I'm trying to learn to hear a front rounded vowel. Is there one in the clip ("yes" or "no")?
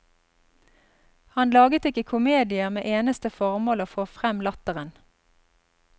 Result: no